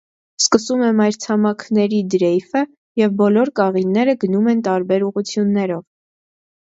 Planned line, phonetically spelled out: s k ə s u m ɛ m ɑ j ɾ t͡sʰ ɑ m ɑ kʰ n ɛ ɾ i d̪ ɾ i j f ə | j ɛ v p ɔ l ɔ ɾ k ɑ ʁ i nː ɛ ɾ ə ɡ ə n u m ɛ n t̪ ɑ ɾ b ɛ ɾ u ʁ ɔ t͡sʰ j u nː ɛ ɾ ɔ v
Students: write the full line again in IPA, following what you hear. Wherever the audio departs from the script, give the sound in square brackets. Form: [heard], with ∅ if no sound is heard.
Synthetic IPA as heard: s k ə s u m ɛ m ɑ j ɾ t͡sʰ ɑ m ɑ kʰ n ɛ ɾ i d̪ ɾ [ɛ] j f ə | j ɛ v [b] ɔ l ɔ ɾ k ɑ ʁ i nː ɛ ɾ ə ɡ ə n u m ɛ n t̪ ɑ ɾ b ɛ ɾ u ʁ [u] t͡sʰ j u nː ɛ ɾ ɔ v